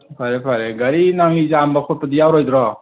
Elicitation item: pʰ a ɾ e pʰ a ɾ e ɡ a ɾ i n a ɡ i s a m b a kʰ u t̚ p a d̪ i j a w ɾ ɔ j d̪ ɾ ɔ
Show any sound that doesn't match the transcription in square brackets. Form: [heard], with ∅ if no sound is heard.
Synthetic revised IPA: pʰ a ɾ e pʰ a ɾ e ɡ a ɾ i n a [ŋ] i [z] a m b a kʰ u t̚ p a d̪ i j a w ɾ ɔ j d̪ ɾ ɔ